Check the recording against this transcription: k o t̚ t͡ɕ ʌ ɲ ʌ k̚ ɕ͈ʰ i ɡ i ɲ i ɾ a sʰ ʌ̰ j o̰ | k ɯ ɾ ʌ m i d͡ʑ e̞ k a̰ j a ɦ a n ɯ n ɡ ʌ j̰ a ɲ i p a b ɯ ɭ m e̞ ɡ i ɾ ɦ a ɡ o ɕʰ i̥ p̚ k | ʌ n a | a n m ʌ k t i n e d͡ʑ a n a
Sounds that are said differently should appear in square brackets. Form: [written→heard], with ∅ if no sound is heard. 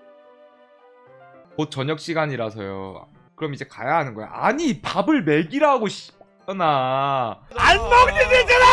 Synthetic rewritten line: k o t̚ t͡ɕ ʌ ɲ ʌ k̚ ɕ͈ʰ i ɡ [i→a] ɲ i ɾ a sʰ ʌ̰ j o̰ | k ɯ ɾ ʌ m i d͡ʑ e̞ k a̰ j a ɦ a n ɯ n ɡ ʌ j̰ a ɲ i p a b ɯ ɭ m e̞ ɡ i ɾ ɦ a ɡ o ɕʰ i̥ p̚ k | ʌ n a | a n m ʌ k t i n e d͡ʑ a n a